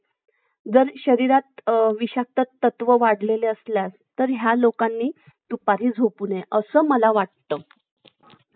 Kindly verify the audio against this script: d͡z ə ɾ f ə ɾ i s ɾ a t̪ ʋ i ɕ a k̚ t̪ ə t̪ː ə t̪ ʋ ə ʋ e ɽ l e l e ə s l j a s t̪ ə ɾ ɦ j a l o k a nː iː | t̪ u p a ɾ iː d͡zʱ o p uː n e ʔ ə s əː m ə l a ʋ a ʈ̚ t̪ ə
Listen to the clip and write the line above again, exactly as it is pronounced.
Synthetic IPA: d͡z ə ɾ ɕ ə ɾ i ɾ a t̪ ʋ i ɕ a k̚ t̪ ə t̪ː ə t̪ ʋ ə ʋ a ɽ l e l e ə s l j a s t̪ ə ɾ ɦ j a l o k a nː iː | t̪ u p a ɾ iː d͡zʱ o p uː n e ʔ ə s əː m ə l a ʋ a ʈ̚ t̪ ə